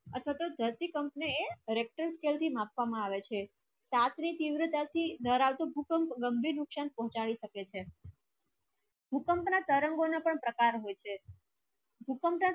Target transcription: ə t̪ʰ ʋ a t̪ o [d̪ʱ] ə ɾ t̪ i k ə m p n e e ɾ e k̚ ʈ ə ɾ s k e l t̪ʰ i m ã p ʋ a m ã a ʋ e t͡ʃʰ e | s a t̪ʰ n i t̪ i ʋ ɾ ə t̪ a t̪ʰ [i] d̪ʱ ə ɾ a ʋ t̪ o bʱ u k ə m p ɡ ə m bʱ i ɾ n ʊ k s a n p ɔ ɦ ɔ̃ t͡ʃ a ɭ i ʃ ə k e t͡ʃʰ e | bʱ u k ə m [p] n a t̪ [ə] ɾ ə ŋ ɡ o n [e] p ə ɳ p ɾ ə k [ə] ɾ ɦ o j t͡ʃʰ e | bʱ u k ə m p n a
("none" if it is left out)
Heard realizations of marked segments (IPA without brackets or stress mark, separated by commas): d̪ʱ, i, p, ə, a, a